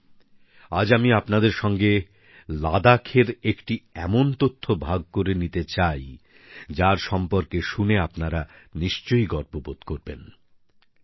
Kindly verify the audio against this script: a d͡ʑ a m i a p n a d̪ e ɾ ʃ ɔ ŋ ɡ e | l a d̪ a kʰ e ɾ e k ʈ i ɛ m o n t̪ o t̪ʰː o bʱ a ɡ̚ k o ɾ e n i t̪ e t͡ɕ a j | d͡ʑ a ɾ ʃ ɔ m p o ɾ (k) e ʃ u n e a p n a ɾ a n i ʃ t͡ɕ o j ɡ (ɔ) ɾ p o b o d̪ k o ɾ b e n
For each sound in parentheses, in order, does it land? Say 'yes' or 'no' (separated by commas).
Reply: yes, yes